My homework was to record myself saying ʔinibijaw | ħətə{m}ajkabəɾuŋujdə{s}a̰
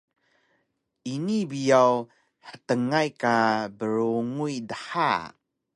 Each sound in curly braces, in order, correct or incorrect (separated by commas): incorrect, incorrect